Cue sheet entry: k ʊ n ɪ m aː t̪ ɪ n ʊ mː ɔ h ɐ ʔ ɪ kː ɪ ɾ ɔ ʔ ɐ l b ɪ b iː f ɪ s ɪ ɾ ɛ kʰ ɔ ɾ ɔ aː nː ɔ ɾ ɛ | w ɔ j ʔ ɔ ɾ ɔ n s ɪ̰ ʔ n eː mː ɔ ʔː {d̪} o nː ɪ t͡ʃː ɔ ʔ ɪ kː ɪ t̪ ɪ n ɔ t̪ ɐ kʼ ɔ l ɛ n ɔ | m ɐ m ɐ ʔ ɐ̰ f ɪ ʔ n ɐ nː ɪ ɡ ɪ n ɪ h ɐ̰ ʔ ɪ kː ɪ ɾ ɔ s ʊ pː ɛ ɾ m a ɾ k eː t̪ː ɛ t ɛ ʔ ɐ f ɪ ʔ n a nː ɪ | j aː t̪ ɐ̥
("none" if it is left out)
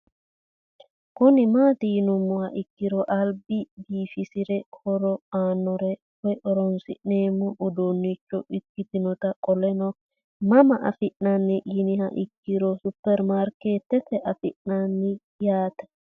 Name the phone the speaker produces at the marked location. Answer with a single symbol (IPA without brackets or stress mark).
d̪